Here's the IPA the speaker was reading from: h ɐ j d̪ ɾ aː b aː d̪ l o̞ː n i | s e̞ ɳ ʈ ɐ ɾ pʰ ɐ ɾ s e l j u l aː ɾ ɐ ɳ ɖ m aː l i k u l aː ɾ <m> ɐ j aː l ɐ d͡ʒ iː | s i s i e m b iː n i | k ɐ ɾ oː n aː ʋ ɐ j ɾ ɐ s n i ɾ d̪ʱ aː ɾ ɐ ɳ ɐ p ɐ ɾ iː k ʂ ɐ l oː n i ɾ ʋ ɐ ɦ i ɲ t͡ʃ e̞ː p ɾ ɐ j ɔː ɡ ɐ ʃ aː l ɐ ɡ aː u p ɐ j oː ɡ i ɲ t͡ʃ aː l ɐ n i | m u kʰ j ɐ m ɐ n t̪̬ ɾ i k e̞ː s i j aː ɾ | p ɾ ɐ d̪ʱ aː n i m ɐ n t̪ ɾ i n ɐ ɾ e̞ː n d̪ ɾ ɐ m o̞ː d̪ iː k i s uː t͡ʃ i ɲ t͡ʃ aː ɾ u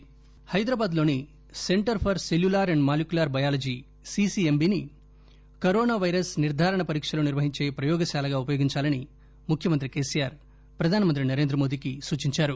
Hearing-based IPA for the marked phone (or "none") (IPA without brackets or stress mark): b